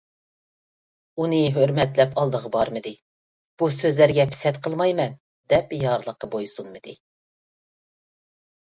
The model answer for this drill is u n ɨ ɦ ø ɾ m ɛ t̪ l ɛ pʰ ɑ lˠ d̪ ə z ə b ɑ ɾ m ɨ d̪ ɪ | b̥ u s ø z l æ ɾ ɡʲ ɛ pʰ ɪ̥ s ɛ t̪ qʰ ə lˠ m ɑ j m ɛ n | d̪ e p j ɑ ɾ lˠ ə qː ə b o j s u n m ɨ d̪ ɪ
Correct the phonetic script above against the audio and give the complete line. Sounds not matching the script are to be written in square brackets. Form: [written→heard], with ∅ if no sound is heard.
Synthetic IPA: u n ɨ ɦ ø ɾ m ɛ t̪ l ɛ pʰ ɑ lˠ d̪ ə [z→ʁ] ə b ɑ ɾ m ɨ d̪ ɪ | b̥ u s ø z l æ ɾ ɡʲ ɛ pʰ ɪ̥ s ɛ t̪ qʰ ə lˠ m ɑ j m ɛ n | d̪ [e→ɛ] p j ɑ ɾ lˠ ə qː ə b o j s u n m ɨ d̪ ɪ